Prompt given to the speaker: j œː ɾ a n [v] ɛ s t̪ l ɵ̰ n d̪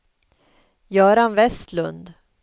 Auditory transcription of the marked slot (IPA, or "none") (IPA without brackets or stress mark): v